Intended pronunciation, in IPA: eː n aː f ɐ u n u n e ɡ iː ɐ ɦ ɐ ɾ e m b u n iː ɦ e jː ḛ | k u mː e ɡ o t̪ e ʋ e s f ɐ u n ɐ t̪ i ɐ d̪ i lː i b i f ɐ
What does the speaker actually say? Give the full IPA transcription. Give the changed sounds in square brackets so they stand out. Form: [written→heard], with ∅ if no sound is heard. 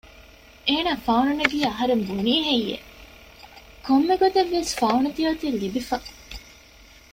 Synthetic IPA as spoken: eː n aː f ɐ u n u n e ɡ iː ɐ ɦ ɐ ɾ e m b u n iː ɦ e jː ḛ | k [u→o] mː e ɡ o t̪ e [ʋ→ʋː] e s f ɐ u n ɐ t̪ i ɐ [d̪→t̪] i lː i b i f ɐ